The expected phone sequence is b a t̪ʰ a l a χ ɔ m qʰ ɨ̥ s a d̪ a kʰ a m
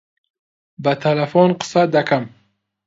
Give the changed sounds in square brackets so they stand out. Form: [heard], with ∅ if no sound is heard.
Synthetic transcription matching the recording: b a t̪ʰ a l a [f] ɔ [n] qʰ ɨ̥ s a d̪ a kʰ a m